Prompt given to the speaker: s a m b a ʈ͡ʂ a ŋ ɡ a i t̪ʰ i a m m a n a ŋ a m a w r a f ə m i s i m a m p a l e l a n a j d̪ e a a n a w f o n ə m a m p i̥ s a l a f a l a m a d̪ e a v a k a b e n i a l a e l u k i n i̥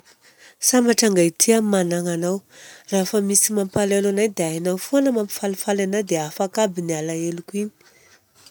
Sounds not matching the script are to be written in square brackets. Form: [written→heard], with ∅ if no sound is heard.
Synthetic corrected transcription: s a m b a ʈ͡ʂ a ŋ ɡ a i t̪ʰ i a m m a n a ŋ a [m→n] a w r a f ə m i s i m a m p a l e l a n a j d̪ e a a n a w f o n ə m a m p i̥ [s→f] a l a f a l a [m→n] a d̪ e a [v→f] a k a b [e→i] n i a l a e l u k i n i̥